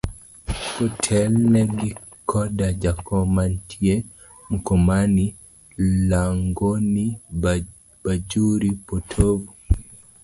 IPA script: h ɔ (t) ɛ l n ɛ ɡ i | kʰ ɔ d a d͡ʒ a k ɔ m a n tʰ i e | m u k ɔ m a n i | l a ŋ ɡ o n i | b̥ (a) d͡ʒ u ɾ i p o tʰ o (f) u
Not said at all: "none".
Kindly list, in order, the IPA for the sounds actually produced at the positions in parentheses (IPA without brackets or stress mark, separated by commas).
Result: tʰ, a, v